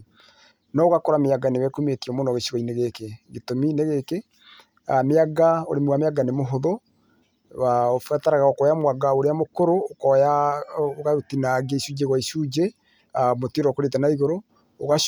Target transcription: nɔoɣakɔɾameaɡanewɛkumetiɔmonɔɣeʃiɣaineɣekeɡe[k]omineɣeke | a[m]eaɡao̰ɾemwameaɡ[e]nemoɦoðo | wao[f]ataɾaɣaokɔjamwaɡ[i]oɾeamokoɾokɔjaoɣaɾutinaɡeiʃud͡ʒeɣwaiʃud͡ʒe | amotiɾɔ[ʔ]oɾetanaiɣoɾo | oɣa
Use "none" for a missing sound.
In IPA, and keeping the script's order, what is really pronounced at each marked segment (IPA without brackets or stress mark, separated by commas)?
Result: t, m, a, f, a, k